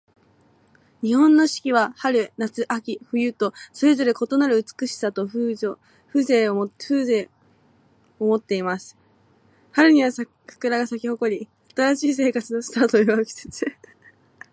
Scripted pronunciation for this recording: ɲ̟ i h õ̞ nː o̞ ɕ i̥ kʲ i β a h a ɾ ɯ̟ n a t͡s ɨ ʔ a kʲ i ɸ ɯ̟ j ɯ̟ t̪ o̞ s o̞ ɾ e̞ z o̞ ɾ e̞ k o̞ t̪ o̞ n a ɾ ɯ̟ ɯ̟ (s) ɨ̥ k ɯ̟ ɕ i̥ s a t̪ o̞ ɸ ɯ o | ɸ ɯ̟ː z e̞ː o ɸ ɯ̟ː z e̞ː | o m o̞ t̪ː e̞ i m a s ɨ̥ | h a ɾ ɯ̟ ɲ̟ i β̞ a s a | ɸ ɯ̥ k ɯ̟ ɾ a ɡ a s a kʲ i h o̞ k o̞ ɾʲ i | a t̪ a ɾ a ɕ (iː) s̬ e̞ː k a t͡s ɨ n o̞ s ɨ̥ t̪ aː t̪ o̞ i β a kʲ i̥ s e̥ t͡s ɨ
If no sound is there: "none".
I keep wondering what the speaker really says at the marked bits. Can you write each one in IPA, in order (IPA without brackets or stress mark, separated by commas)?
t͡s, iː